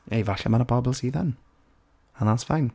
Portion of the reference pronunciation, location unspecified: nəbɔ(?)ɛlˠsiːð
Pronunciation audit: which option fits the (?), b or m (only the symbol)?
b